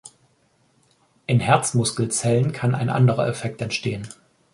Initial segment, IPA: ʔ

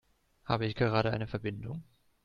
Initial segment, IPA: h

